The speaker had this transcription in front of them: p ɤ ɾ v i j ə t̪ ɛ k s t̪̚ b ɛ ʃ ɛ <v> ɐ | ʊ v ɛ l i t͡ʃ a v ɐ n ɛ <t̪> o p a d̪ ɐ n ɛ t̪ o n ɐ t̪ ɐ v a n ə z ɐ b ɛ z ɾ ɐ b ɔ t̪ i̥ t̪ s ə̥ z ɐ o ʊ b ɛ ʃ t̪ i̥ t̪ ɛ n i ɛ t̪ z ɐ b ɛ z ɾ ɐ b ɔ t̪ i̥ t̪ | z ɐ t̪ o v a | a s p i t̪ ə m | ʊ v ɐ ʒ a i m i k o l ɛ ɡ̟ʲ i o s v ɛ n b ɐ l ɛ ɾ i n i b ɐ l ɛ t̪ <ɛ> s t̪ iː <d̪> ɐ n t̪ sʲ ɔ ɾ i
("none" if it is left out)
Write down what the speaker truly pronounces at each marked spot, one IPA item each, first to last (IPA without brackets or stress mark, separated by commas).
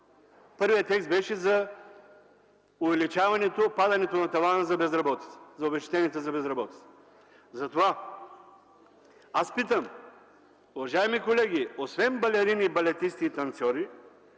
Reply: z, t̪, i, t̪